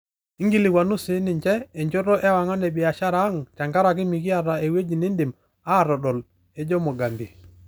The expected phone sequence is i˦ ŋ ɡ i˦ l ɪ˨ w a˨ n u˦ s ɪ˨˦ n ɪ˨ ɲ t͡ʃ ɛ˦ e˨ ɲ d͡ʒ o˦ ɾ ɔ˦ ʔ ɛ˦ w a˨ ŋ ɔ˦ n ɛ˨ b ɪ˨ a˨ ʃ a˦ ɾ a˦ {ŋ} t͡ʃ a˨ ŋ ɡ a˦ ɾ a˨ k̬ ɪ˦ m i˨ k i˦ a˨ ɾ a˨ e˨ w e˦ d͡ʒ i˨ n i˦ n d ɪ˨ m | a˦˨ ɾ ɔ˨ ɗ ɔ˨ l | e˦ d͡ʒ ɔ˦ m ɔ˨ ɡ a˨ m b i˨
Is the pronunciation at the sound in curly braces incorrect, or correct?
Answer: correct